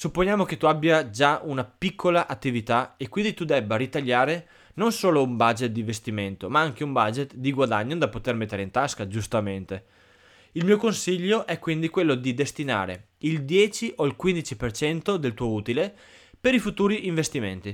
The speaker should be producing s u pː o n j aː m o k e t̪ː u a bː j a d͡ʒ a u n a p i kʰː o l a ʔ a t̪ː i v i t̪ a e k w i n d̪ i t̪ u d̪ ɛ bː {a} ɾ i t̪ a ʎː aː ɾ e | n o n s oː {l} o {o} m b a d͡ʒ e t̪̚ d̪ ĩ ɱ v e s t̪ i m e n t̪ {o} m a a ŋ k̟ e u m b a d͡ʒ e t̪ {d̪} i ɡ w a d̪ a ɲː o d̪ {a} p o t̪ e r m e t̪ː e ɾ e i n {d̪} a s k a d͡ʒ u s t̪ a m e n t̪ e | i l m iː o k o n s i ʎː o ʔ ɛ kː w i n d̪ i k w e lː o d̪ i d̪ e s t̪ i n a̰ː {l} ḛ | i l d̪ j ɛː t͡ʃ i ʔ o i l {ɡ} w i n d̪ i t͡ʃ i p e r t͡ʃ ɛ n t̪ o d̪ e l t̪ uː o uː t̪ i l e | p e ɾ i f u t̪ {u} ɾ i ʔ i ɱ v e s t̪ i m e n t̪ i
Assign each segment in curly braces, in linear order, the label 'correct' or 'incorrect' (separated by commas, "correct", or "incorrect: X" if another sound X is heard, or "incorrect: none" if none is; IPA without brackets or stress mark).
correct, correct, incorrect: u, correct, correct, correct, incorrect: t̪, incorrect: ɾ, incorrect: k, incorrect: uː